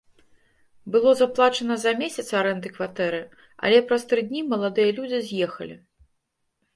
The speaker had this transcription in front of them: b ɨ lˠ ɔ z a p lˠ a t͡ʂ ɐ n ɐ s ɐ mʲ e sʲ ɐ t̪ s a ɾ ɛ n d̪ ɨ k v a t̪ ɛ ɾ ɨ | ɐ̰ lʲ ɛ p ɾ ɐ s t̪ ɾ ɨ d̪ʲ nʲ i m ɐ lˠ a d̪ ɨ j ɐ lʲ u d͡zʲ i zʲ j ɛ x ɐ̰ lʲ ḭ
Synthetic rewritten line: b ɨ lˠ ɔ z a p lˠ a t͡ʂ ɐ n ɐ z ɐ mʲ e sʲ ɐ t̪ s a ɾ ɛ n d̪ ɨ k v a t̪ ɛ ɾ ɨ | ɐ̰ lʲ ɛ p ɾ ɐ s t̪ ɾ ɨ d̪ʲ nʲ i m ɐ lˠ a d̪ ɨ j ɐ lʲ u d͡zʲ i zʲ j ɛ x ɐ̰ lʲ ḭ